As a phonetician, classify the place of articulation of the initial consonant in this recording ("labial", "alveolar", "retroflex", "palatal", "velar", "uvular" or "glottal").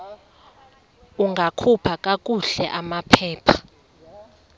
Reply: velar